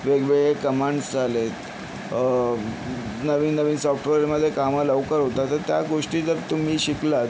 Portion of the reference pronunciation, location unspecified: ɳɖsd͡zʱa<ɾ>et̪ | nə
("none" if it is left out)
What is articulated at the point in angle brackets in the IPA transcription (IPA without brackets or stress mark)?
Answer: l